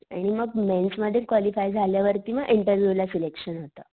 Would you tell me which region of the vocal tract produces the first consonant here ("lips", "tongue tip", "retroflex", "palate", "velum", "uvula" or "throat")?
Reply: retroflex